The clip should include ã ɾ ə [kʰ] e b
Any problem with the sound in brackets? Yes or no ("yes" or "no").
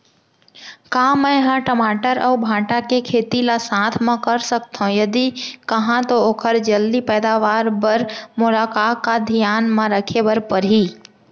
no